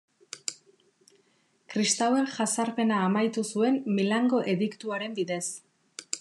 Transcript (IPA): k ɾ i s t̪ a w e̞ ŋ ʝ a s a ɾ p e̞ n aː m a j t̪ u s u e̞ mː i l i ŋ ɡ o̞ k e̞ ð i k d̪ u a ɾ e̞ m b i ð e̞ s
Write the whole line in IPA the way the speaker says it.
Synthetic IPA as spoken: k ɾ i s t̪ a w e̞ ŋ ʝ a s a ɾ p e̞ n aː m a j t̪ u s u e̞ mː i l a ŋ ɡ o̞ ʔ e̞ ð i k t̪ u a ɾ e̞ m b i ð e̞ s